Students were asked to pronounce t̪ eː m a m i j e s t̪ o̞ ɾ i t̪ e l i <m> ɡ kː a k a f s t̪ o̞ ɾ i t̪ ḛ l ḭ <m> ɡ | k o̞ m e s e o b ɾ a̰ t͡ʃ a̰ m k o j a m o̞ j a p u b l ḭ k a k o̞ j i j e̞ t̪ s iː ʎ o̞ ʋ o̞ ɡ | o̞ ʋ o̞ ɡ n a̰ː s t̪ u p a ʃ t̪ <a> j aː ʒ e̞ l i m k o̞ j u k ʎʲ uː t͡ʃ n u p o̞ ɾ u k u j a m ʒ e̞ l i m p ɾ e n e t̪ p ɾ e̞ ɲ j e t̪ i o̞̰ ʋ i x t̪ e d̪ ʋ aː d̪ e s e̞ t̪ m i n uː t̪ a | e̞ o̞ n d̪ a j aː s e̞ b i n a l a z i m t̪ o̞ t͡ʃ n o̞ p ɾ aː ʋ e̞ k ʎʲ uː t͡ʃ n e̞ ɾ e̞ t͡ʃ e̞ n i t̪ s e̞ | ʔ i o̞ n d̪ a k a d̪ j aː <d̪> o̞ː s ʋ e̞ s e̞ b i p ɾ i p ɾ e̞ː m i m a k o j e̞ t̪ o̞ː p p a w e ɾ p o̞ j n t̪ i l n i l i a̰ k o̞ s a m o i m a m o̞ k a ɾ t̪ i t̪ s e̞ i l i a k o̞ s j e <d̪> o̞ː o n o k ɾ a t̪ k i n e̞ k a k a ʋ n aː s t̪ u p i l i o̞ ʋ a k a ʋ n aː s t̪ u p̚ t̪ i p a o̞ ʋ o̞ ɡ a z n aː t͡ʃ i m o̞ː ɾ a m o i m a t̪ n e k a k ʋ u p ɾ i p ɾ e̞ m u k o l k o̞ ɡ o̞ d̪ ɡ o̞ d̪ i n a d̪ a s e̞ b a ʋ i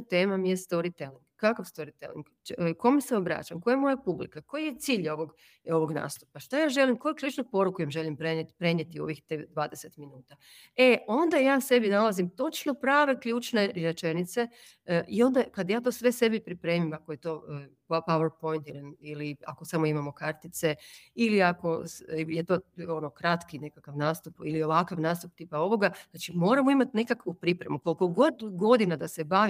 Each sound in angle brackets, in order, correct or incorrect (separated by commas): incorrect, incorrect, correct, incorrect, incorrect